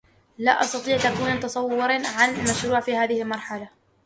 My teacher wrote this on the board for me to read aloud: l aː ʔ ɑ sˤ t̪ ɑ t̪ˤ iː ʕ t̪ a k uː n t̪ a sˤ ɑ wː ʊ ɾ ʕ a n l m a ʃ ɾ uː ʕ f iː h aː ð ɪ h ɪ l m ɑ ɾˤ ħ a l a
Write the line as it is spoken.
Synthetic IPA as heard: l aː ʔ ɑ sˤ t̪ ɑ t̪ˤ iː ʕ t̪ a k uː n t̪ ɑ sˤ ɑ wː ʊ ɾ ʕ a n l m a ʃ ɾ uː ʕ f iː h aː ð ɪ h ɪ l m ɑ ɾˤ ħ a l a

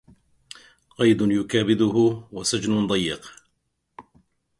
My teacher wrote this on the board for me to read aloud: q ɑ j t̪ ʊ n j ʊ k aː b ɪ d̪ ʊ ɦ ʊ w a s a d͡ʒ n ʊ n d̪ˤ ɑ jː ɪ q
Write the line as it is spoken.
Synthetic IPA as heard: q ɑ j d̪ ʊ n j ʊ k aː b ɪ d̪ ʊ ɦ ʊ w a s a d͡ʒ n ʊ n d̪ˤ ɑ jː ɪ q

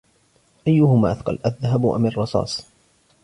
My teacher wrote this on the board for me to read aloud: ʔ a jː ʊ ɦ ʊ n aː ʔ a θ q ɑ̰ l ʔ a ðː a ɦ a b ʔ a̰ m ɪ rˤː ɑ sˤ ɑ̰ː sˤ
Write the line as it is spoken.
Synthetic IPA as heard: ʔ a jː ʊ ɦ ʊ m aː ʔ a θ q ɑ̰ l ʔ a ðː a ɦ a b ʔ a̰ m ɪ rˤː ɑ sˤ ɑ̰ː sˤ

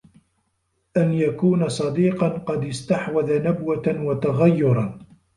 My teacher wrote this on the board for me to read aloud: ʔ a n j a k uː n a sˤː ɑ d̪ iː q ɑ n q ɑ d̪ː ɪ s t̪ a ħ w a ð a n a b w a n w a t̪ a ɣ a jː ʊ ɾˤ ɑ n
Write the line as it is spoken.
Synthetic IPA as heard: ʔ a n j a k uː n a sˤ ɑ d̪ iː q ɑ n q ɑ d̪ ɪ s t̪ a ħ w a ð a n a b w a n w a t̪ a ɣ a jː ʊ ɾˤ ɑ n

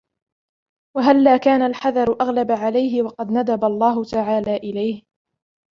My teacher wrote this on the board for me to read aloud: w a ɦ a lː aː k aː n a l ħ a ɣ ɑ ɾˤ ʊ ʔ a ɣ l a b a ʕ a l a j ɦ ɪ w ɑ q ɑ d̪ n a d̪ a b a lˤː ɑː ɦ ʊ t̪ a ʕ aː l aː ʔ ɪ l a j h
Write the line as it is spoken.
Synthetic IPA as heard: w a ɦ a lː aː k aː n a l ħ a ð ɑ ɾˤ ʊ ʔ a ɣ l a b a ʕ a l a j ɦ ɪ w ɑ q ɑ d̪ n a d̪ a b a lˤː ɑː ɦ ʊ t̪ a ʕ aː l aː ʔ ɪ l a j h

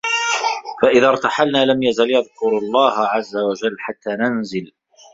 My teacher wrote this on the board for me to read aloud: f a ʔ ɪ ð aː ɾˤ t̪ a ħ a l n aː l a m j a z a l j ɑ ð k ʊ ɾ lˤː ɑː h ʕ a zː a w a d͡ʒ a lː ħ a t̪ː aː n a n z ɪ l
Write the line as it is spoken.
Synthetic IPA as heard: f a ʔ ɪ ð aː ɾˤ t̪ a ħ a l n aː l a m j a z a l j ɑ ð k ʊ ɾ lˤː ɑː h ʕ a zː a w a d͡ʒ a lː ħ a t̪ː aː n a n z ɪ l

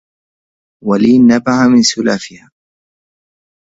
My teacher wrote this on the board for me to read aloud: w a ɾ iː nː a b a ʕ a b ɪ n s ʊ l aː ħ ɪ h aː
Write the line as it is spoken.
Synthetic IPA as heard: w a l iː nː a b a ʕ a m ɪ n s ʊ l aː f ɪ h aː

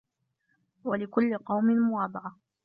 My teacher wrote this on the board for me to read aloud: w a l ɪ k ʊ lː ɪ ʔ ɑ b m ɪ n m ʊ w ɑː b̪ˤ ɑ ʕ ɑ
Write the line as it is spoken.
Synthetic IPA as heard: w a l ɪ k ʊ lː ɪ q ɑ w m ɪ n m ʊ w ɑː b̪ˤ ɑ ʕ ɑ

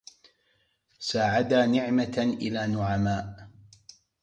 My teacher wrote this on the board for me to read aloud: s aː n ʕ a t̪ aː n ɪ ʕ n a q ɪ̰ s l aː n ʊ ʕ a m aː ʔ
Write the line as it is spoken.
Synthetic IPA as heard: s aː ʕ a d̪ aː n ɪ ʕ m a ʔ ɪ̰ l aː n ʊ ʕ a m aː ʔ

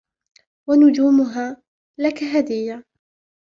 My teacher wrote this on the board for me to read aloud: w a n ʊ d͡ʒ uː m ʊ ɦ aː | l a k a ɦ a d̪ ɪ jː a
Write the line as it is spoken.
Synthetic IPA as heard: w a n ʊ d͡ʒ uː m ʊ ɦ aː | l a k a ɦ a d̪ ɪ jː a

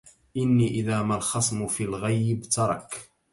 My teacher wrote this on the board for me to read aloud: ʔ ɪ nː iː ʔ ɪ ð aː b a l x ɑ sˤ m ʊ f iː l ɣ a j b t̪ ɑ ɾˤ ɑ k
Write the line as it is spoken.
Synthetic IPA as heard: ʔ ɪ nː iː ʔ ɪ ð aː m a l x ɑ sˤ m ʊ f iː l ɣ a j b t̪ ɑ ɾˤ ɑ k

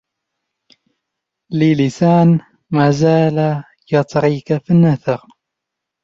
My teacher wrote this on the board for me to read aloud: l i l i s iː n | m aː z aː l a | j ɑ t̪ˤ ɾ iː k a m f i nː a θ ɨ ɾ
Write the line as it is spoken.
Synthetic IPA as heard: l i l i s aː n | m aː z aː l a | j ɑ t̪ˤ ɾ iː k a f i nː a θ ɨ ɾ

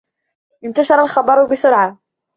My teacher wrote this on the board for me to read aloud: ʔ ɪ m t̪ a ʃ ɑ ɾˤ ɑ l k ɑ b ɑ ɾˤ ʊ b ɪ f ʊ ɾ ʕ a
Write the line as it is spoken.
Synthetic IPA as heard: ʔ ɪ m t̪ a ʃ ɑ ɾˤ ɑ l x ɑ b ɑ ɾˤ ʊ b ɪ s ʊ ɾ ʕ a

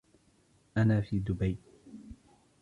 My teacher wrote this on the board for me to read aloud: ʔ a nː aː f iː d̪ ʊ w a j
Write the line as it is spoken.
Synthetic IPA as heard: ʔ a n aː f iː d̪ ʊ b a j

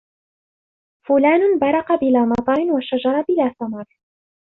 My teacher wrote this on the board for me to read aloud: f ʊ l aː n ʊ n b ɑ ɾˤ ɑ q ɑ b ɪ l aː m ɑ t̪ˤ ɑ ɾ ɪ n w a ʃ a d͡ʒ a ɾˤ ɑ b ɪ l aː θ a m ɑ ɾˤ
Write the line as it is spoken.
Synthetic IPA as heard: f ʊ l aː n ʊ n b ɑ ɾˤ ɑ q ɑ b ɪ l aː m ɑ t̪ˤ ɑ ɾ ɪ n w a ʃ a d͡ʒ ɑ ɾˤ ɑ b ɪ l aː θ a m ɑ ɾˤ

